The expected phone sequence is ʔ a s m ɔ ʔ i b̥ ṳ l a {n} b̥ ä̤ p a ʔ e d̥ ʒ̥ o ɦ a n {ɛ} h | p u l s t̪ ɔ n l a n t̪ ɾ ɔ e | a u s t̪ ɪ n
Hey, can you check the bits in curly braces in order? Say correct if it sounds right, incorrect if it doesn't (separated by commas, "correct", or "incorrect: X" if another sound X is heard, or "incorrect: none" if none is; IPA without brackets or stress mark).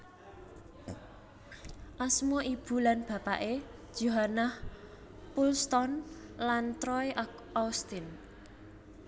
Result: correct, incorrect: a